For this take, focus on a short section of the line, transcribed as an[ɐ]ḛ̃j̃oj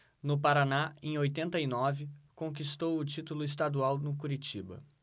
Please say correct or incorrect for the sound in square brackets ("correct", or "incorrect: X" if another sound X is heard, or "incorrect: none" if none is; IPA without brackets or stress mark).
incorrect: a